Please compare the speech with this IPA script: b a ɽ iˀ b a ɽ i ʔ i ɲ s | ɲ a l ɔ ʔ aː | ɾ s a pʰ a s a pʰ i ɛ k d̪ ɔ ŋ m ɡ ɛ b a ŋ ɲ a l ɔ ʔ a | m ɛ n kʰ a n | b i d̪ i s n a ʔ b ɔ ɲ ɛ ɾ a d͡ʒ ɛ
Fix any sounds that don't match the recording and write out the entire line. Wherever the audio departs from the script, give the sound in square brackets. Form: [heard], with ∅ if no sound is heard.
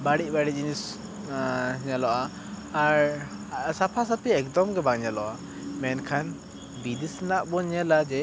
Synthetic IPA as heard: b a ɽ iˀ b a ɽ i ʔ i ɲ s | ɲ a l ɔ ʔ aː | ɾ s a pʰ a s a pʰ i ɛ k d̪ ɔ [∅] m ɡ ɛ b a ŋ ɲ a l ɔ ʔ a | m ɛ n kʰ a n | b i d̪ i s n a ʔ b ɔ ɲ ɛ [l] a d͡ʒ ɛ